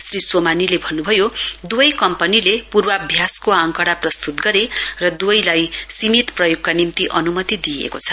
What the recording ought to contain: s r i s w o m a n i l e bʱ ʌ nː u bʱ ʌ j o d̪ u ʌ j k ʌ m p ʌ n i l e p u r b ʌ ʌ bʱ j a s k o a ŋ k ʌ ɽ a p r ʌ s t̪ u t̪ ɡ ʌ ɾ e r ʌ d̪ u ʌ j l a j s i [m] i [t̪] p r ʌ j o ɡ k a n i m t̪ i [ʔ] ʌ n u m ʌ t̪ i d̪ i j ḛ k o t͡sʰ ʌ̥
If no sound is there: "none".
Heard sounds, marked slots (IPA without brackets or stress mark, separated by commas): m, t̪, ʔ